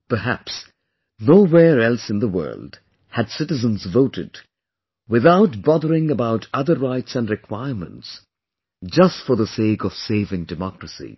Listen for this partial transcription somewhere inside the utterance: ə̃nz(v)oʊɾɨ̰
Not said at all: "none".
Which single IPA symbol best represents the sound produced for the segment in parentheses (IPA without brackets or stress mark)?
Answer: v